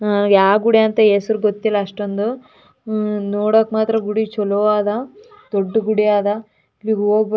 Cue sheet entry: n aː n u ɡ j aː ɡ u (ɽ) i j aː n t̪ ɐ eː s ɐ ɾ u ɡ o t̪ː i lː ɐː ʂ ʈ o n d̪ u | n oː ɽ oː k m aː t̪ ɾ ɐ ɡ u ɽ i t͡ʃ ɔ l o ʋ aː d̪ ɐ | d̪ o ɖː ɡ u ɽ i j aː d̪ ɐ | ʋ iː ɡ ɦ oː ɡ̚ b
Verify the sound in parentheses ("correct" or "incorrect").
correct